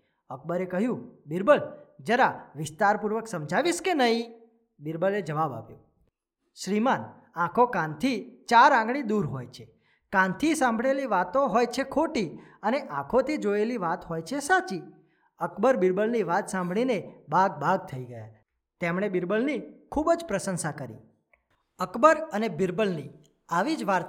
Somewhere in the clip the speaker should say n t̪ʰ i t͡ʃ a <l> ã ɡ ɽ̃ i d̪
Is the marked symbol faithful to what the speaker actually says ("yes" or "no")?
no